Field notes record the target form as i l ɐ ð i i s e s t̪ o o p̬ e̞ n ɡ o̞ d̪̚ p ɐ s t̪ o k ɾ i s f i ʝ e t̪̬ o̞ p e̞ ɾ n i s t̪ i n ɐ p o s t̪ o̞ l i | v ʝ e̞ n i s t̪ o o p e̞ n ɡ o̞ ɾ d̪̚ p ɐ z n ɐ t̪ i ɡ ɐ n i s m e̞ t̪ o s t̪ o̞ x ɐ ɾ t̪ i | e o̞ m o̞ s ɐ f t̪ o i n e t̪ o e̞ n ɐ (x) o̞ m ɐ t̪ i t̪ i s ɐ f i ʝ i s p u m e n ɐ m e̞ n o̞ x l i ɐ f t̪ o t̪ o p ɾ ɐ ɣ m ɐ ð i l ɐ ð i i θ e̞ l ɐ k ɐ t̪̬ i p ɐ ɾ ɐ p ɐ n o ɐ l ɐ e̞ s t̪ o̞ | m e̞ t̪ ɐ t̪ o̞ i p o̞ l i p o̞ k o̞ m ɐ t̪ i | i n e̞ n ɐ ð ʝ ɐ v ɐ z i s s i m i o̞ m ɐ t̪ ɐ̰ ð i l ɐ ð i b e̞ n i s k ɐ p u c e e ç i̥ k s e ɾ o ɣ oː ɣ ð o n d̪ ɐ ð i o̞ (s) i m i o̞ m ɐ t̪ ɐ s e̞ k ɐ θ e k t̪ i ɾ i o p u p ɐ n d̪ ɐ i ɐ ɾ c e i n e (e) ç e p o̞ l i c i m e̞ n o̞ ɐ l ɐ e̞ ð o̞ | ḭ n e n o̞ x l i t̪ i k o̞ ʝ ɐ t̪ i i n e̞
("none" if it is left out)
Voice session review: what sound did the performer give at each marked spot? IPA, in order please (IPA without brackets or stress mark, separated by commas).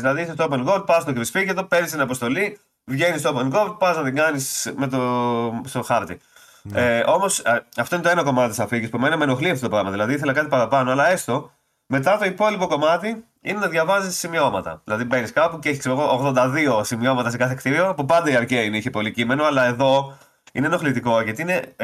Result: k, s, i